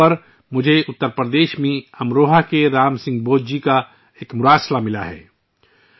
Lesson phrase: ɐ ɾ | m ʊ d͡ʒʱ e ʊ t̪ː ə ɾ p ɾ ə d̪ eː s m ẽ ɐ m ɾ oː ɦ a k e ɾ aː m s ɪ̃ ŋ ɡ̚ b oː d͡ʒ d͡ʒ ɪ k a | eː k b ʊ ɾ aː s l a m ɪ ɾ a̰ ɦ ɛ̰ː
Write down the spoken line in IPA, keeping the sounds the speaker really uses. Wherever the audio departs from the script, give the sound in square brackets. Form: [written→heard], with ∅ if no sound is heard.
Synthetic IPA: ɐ ɾ | m ʊ d͡ʒʱ e ʊ t̪ː ə ɾ p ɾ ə d̪ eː [s→ʃ] m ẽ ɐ m ɾ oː ɦ a k e ɾ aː m s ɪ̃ ŋ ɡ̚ b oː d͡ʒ d͡ʒ [ɪ→i] k a | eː k [b→m] ʊ ɾ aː s l a m ɪ [ɾ→l] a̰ ɦ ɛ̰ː